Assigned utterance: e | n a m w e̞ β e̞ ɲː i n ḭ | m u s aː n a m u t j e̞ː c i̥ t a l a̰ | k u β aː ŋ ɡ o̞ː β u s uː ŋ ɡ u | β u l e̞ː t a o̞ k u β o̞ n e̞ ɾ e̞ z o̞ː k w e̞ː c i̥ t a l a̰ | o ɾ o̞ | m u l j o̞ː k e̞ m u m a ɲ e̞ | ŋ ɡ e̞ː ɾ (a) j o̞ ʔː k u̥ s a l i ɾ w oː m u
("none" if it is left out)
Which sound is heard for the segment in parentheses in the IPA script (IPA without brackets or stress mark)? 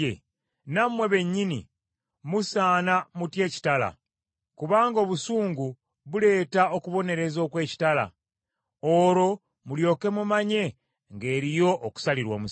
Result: i